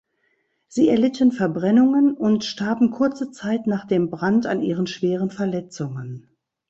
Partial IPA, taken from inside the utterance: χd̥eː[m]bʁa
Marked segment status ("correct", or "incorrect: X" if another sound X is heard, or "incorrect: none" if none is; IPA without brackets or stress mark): correct